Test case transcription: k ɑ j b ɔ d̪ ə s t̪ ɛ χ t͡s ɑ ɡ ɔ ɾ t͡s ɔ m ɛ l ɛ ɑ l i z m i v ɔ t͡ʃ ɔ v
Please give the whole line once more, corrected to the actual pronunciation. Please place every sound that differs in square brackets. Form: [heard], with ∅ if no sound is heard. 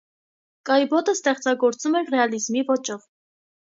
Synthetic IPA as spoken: k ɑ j b ɔ [t̪] ə s t̪ ɛ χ t͡s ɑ ɡ ɔ ɾ t͡s [u] m ɛ [r] ɛ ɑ l i z m i v ɔ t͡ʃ ɔ v

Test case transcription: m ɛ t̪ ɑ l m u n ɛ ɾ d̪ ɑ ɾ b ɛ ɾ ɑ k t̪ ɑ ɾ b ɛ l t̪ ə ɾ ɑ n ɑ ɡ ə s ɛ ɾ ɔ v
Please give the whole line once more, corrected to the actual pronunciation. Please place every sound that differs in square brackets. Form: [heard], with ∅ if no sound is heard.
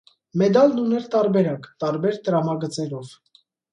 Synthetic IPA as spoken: m ɛ [d̪] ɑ l [n] u n ɛ ɾ [t̪] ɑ ɾ b ɛ ɾ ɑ k t̪ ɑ ɾ b ɛ [ɾ] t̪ ə ɾ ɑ [m] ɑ ɡ ə [t͡s] ɛ ɾ ɔ v

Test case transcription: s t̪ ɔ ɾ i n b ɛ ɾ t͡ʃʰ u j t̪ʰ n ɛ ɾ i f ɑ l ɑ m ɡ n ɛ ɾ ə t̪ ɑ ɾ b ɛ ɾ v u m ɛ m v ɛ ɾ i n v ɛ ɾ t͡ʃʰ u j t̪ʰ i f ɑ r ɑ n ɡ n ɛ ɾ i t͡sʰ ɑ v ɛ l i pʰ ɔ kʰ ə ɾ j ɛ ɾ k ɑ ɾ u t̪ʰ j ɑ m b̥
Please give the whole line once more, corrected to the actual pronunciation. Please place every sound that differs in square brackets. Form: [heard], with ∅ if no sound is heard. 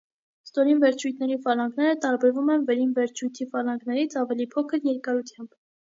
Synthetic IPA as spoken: s t̪ ɔ ɾ i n [v] ɛ ɾ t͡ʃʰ u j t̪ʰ n ɛ ɾ i f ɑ l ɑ [ŋ] ɡ n ɛ ɾ ə t̪ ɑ ɾ b ɛ ɾ v u m ɛ [n] v ɛ ɾ i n v ɛ ɾ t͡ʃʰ u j t̪ʰ i f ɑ [l] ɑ [ŋ] ɡ n ɛ ɾ i t͡sʰ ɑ v ɛ l i pʰ ɔ kʰ ə ɾ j ɛ ɾ k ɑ ɾ u t̪ʰ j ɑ m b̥

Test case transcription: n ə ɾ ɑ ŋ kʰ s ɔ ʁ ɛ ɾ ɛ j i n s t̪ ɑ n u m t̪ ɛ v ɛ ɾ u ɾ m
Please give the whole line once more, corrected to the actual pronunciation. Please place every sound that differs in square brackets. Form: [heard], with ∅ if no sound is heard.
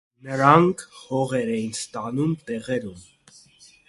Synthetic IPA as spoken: n ə ɾ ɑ ŋ kʰ [h] ɔ ʁ ɛ ɾ ɛ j i n s t̪ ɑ n u m t̪ ɛ [ʁ] ɛ ɾ u [∅] m

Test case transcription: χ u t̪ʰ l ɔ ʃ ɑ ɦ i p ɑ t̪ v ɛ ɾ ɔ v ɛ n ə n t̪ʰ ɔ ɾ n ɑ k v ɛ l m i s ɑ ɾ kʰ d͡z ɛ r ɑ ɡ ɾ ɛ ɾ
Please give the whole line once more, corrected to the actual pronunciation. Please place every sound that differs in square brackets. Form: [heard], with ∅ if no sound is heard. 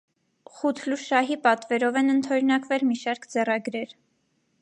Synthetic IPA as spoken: χ u t̪ʰ l [u] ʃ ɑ ɦ i p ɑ t̪ v ɛ ɾ ɔ v ɛ n ə n t̪ʰ ɔ ɾ n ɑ k v ɛ l m i [ʃ] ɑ ɾ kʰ d͡z ɛ r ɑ ɡ ɾ ɛ ɾ

